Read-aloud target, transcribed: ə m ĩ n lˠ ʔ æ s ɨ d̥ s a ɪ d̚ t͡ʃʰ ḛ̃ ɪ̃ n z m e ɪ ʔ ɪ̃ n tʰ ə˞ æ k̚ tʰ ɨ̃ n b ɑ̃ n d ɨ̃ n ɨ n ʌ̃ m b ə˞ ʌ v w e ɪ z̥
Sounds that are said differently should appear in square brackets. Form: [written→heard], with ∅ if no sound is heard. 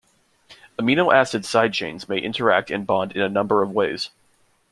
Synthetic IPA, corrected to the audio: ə m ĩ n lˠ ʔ æ s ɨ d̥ s a ɪ d̚ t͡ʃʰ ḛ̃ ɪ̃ n z m e ɪ ʔ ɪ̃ n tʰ ə˞ æ k̚ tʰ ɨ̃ n b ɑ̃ n d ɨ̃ n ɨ n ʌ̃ m b ə˞ ʌ v w e ɪ z̥